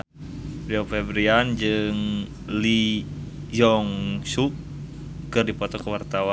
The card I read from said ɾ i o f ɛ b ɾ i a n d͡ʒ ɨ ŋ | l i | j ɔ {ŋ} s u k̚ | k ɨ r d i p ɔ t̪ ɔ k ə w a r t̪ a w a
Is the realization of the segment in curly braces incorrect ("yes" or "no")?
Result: no